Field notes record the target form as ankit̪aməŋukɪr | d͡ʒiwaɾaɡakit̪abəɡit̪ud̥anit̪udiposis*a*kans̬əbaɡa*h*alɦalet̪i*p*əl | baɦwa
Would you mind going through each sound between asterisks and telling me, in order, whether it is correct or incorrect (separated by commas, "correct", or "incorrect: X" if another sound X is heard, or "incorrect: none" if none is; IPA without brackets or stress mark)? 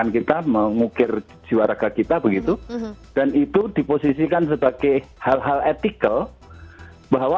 incorrect: i, correct, incorrect: k